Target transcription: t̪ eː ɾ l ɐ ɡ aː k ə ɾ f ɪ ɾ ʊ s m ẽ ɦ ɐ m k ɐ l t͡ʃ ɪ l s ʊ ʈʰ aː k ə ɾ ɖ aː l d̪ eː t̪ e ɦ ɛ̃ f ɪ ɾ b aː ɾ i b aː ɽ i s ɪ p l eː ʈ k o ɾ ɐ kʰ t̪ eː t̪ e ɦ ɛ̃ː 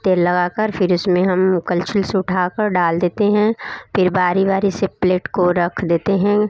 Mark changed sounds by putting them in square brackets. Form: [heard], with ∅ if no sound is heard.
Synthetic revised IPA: t̪ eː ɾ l ɐ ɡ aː k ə ɾ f ɪ ɾ ʊ s m ẽ ɦ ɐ m k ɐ l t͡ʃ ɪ l s ʊ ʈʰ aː k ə ɾ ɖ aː l d̪ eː t̪ e ɦ ɛ̃ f ɪ ɾ b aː ɾ i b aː [ɾ] i s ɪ p l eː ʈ k o ɾ ɐ kʰ [d̪] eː t̪ e ɦ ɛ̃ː